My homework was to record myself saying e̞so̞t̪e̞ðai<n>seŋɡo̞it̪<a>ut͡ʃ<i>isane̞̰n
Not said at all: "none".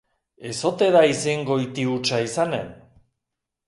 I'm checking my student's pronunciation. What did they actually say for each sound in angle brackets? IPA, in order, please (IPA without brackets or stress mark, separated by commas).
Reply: none, i, a